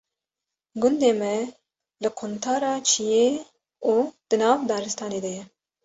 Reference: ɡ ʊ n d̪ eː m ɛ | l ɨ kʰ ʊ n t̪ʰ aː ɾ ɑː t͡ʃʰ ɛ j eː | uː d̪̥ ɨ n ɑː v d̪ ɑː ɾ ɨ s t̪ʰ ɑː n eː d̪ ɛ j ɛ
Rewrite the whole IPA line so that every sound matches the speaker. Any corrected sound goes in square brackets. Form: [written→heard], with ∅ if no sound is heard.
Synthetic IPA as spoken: ɡ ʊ n d̪ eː m ɛ | l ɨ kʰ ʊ n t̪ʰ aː ɾ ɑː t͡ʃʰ [ɛ→i] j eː | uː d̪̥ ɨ n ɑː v d̪ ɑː ɾ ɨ s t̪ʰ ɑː n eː d̪ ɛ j ɛ

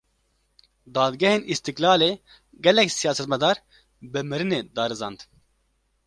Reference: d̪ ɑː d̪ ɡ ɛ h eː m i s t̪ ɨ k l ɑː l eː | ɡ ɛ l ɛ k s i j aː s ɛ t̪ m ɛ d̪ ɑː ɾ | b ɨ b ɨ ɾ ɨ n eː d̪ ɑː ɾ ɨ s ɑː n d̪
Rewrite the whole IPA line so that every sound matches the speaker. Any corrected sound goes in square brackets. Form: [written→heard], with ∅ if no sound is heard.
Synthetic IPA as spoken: d̪ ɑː d̪ ɡ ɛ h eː [m→n] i s t̪ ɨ k l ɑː l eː | ɡ ɛ l ɛ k s i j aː s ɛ t̪ m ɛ d̪ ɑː ɾ | b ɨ [b→m] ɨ ɾ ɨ n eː d̪ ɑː ɾ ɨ [s→z] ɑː n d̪

